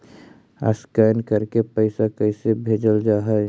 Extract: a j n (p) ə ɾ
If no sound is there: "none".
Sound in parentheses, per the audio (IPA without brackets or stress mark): k